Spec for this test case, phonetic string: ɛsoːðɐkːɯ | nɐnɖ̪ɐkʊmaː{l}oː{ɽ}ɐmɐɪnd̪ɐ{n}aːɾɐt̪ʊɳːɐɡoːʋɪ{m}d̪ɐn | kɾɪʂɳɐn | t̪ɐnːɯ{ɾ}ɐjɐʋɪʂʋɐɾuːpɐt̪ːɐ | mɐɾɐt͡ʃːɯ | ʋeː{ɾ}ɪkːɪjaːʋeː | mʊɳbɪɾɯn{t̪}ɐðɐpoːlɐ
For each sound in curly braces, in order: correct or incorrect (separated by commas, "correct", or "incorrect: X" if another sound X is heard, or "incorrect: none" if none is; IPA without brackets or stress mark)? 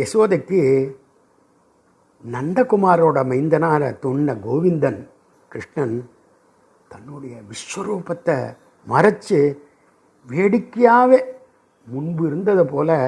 incorrect: ɾ, correct, correct, incorrect: n, incorrect: ɽ, incorrect: ɽ, incorrect: d̪